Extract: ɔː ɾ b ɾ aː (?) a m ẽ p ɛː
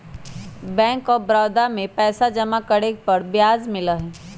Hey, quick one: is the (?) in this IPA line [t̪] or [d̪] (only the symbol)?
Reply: d̪